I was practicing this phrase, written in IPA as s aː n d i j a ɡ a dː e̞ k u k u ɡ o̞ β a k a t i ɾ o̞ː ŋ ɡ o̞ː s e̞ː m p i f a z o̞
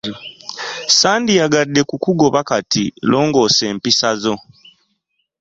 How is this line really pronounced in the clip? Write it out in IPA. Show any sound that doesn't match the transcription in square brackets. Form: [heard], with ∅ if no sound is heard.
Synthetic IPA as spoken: s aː n d i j a ɡ a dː e̞ k u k u ɡ o̞ β a k a t i [l] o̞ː ŋ ɡ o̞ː s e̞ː m p i [s] a z o̞